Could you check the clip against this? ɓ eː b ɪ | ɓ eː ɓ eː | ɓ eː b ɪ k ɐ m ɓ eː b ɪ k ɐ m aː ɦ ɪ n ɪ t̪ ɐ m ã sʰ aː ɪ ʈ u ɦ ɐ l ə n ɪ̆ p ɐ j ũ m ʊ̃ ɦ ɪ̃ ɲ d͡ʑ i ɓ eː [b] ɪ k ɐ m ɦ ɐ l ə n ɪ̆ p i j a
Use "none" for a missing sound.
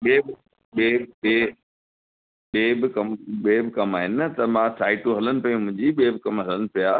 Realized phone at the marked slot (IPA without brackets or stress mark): b